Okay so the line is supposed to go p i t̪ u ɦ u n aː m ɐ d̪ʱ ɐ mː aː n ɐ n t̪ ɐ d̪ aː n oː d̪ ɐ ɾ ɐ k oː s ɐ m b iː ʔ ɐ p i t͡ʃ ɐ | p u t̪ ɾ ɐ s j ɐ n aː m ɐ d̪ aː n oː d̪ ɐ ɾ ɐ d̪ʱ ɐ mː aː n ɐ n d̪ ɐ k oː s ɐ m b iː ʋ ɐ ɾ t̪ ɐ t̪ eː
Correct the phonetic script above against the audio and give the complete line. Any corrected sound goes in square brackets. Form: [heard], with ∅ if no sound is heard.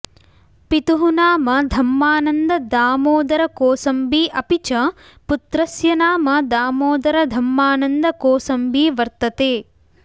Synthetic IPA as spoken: p i t̪ u ɦ u n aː m ɐ d̪ʱ ɐ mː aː n ɐ n [d̪] ɐ d̪ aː [m] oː d̪ ɐ ɾ ɐ k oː s ɐ m b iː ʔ ɐ p i t͡ʃ ɐ | p u t̪ ɾ ɐ s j ɐ n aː m ɐ d̪ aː [m] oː d̪ ɐ ɾ ɐ d̪ʱ ɐ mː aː n ɐ n d̪ ɐ k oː s ɐ m b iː ʋ ɐ ɾ t̪ ɐ t̪ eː